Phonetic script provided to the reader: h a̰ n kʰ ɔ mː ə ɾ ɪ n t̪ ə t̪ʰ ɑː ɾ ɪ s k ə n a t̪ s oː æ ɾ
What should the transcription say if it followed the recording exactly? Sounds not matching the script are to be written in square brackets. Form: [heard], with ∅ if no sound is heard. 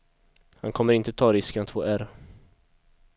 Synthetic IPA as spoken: h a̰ n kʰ ɔ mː ə ɾ ɪ n t̪ ə t̪ʰ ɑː ɾ ɪ s k ə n a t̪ [f] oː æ ɾ